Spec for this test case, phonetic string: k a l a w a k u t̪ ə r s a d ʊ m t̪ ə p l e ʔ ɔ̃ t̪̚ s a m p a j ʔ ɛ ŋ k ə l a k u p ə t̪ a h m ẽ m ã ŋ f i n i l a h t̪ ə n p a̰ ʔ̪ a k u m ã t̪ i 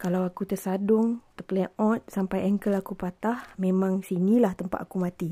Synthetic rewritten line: k a l a w a k u t̪ ə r s a d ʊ ŋ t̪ ə p l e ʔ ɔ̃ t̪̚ s a m p a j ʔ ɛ ŋ k ə l a k u p a t̪ a h m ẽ m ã ŋ s i n i l a h t̪ ə m p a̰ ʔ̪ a k u m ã t̪ i